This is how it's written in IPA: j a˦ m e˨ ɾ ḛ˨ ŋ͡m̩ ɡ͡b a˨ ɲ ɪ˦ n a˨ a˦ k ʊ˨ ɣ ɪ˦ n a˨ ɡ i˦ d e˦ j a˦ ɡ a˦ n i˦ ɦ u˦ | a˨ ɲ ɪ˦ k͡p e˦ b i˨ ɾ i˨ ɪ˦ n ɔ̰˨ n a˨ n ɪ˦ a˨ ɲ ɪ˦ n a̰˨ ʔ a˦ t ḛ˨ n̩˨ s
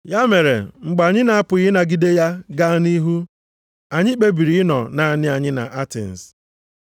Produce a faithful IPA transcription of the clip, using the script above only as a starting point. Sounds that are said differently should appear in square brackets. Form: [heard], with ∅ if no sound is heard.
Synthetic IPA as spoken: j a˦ m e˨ ɾ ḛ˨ ŋ͡m̩ ɡ͡b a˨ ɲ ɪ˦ n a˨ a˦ [p] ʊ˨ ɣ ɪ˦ n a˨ ɡ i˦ d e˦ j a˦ ɡ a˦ n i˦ ɦ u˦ | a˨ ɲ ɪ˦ k͡p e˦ b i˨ ɾ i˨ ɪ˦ n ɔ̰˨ n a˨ n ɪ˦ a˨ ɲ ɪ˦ n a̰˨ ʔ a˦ t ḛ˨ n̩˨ s